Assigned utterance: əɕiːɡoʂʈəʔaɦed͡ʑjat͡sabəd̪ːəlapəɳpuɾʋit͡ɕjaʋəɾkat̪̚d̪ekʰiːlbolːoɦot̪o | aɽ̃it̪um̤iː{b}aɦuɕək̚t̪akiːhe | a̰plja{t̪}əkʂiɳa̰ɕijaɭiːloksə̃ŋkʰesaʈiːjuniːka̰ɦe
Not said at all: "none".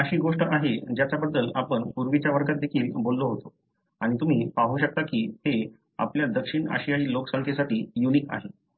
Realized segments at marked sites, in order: p, d̪

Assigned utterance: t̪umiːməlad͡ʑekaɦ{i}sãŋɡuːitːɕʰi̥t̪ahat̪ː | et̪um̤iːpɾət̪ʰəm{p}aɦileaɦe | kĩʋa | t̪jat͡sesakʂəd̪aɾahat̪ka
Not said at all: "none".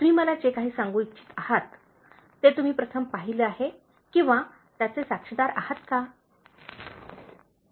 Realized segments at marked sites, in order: iː, p

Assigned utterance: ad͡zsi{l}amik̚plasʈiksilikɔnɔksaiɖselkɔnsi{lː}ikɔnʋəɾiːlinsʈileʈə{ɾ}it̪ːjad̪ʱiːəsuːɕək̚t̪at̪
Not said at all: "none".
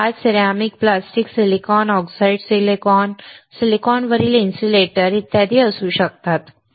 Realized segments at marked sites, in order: ɾ, l, ɾ

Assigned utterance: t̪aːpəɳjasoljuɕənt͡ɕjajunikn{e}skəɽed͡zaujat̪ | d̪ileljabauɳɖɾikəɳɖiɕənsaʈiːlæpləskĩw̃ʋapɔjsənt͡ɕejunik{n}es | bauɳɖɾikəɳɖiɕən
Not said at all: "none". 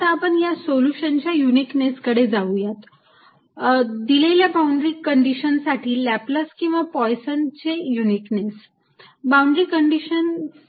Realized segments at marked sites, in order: e, n

